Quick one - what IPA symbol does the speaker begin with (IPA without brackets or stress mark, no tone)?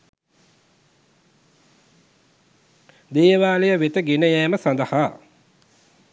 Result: d̪